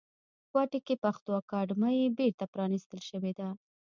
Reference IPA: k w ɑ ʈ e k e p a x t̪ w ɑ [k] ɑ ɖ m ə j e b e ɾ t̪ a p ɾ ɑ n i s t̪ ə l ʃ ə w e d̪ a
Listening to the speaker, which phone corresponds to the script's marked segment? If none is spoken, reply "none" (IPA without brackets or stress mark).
k